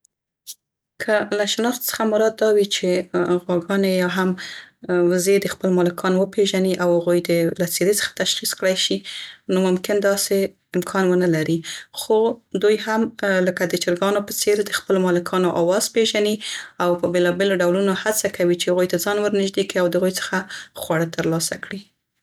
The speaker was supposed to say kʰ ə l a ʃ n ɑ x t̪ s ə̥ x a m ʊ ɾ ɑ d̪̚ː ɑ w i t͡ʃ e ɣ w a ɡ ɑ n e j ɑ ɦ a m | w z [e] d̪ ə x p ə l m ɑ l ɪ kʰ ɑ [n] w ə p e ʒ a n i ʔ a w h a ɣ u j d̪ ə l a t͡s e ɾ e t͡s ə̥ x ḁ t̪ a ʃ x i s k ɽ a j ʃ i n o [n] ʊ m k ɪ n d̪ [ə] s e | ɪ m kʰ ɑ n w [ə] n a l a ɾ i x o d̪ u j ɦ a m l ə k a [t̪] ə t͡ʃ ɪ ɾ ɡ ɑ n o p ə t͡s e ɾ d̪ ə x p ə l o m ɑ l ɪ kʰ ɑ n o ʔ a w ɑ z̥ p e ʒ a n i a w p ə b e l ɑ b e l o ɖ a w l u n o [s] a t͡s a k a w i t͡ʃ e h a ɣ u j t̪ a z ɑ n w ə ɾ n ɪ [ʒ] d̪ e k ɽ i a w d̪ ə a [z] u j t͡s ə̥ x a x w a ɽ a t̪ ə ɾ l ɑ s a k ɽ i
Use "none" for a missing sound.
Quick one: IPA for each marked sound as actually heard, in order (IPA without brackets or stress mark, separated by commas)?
e, n, m, ɑ, ə, d̪, h, ʒ, ɣ